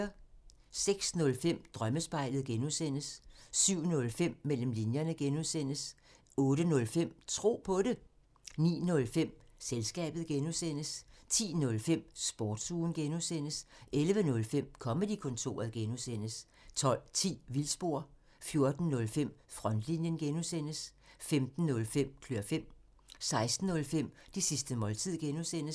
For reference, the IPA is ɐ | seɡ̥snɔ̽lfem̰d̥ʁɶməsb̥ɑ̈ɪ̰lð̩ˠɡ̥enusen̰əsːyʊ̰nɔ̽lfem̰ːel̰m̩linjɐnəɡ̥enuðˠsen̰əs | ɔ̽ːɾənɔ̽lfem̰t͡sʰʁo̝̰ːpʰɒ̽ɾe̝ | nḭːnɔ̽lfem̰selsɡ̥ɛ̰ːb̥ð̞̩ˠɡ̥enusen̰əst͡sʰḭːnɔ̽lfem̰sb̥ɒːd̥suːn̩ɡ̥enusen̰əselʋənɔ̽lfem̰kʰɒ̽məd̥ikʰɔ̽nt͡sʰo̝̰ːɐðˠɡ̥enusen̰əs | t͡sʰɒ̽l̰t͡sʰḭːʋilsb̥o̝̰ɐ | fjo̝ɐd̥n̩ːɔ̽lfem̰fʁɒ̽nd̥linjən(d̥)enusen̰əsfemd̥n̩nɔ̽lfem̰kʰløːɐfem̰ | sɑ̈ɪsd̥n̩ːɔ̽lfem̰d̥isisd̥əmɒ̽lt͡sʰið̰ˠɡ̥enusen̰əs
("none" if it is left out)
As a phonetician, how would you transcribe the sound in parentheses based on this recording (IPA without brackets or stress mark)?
ɡ̥